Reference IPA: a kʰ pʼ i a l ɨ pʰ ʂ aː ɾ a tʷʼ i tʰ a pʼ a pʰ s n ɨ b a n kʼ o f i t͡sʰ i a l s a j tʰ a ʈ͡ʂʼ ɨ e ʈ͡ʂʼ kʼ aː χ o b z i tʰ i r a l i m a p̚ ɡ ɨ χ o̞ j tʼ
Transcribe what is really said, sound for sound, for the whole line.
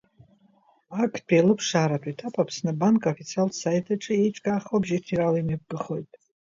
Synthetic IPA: a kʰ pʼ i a l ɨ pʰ ʂ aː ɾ a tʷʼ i tʰ a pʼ a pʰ s n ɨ b a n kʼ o f i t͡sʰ i a l s a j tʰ a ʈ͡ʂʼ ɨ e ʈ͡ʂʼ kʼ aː χ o b ʒ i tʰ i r a l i m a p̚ ɡ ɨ χ o̞ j tʼ